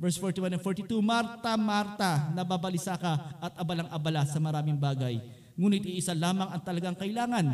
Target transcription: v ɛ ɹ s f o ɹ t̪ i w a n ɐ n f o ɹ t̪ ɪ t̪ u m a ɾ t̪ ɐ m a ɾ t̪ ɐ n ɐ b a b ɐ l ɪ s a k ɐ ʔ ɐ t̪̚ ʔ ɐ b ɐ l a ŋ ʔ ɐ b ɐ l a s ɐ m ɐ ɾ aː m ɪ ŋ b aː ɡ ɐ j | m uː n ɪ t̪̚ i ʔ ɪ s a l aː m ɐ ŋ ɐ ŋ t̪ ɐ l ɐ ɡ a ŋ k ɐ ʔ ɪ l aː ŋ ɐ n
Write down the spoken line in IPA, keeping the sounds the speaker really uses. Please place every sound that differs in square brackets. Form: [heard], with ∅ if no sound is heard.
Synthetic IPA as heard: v ɛ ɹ s f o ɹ t̪ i w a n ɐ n f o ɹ t̪ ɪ t̪ u m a ɾ t̪ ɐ m a ɾ t̪ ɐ n ɐ b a b ɐ l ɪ s a k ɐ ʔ ɐ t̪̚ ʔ ɐ b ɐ l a ŋ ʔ ɐ b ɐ l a s ɐ m ɐ ɾ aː m ɪ ŋ b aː ɡ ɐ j | [ŋ] uː n ɪ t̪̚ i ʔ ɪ s a l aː m ɐ ŋ ɐ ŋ t̪ ɐ l ɐ ɡ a ŋ k ɐ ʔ ɪ l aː ŋ ɐ n